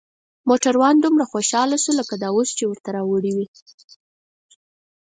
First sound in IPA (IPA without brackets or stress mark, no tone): m